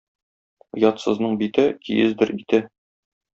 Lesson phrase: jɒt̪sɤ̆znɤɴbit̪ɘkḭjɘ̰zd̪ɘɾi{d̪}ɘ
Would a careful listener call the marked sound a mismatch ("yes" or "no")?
yes